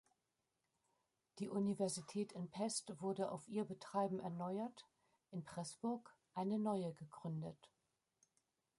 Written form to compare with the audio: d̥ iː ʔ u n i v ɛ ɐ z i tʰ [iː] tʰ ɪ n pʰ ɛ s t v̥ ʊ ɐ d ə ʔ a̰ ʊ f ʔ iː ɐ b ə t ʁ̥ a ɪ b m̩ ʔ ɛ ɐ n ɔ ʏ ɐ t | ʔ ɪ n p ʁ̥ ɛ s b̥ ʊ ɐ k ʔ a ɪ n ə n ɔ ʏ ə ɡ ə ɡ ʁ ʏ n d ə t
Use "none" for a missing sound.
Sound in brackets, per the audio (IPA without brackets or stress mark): ɛː